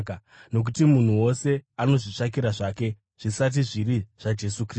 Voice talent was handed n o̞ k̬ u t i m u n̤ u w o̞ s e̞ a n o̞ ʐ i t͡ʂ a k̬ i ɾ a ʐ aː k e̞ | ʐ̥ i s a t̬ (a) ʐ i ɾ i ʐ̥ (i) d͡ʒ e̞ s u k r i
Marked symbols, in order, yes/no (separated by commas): no, no